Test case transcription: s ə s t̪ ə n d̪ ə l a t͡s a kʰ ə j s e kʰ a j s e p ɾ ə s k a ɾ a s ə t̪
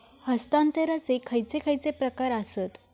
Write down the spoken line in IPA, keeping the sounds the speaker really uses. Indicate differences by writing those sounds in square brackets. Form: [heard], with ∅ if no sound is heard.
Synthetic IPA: [h] ə s t̪ [a] n [t̪] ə [ɾ] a t͡s [e] kʰ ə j [t͡s] e kʰ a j [t͡s] e p ɾ ə [∅] k a ɾ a s ə t̪